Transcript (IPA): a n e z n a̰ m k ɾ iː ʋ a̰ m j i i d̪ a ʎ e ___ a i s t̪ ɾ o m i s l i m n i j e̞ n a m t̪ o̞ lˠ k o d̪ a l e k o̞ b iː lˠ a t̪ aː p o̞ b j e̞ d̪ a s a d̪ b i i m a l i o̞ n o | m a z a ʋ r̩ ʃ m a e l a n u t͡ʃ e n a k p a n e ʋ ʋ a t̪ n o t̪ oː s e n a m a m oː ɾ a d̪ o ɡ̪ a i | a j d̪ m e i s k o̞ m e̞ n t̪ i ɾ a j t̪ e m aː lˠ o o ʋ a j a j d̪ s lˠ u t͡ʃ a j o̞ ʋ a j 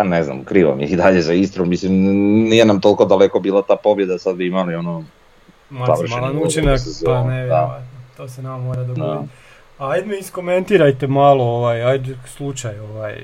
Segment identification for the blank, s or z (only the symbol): z